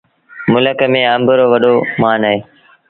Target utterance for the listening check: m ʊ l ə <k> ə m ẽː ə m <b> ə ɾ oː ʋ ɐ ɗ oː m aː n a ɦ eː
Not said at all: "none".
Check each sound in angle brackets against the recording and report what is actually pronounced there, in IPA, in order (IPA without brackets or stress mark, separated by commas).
k, b